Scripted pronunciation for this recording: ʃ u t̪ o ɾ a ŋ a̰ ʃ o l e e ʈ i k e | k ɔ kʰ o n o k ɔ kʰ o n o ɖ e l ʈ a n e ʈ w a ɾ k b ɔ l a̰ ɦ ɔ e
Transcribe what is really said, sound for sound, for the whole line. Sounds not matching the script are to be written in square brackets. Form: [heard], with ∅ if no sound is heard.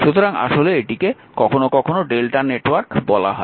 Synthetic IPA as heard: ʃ u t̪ o ɾ a ŋ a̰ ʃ o l e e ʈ i k e | k ɔ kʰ o n o k ɔ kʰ o n o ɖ e l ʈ a n e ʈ w a ɾ k b ɔ l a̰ ɦ ɔ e